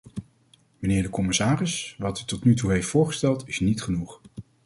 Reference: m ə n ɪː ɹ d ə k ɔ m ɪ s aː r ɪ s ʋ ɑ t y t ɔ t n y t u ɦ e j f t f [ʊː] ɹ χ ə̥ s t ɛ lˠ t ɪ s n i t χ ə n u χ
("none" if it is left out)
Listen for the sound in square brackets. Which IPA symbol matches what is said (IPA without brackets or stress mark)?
ʊː